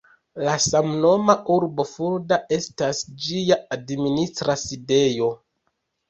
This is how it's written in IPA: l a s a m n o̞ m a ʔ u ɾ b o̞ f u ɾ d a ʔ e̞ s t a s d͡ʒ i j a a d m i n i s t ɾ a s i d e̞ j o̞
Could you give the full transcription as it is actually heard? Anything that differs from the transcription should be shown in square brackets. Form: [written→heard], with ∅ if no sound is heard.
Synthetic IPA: l a s a m n o̞ m a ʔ u ɾ b o̞ f u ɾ d a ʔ e̞ s t a s d͡ʒ i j a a d m i n i s t ɾ a s i d e̞ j o̞